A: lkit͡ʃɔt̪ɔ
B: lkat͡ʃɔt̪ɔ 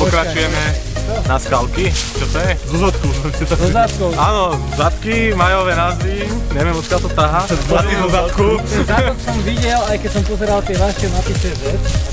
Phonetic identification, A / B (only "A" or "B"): A